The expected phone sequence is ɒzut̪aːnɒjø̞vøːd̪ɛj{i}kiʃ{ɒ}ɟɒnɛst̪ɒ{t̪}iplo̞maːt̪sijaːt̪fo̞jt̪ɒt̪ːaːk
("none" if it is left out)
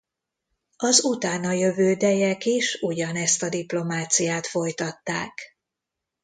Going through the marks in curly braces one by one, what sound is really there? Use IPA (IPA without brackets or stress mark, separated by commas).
ɛ, u, d̪